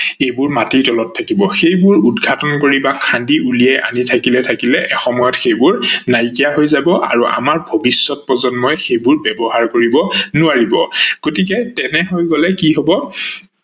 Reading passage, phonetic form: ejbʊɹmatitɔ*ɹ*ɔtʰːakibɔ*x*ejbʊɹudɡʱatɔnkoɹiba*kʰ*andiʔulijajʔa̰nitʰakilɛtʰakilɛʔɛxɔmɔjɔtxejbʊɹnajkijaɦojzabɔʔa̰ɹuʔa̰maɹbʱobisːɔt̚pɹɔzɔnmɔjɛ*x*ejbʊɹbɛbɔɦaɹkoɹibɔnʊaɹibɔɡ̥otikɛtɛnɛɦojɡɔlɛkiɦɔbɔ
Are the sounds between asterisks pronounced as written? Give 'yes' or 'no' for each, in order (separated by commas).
no, yes, yes, yes